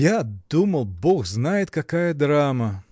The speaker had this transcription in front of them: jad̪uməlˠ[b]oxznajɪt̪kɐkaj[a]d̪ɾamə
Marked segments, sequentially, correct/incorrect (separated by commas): correct, incorrect